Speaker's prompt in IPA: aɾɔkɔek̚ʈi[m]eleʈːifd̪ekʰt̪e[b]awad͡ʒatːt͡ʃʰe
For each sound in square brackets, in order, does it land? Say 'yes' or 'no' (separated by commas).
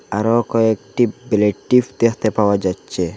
no, no